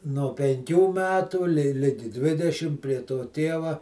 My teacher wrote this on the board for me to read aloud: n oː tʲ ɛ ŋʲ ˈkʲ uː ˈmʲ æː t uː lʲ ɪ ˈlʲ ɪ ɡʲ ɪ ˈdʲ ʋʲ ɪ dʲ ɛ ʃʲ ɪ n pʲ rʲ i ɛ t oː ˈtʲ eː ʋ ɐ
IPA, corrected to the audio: n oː pʲ ɛ ŋʲ ˈkʲ uː ˈmʲ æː t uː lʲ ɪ ˈlʲ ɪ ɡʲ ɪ ˈdʲ ʋʲ ɪ dʲ ɛ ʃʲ ɪ m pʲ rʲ i ɛ t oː ˈtʲ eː ʋ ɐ